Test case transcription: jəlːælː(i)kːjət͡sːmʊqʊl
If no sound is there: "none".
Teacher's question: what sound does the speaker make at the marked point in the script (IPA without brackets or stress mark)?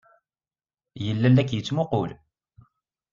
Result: æ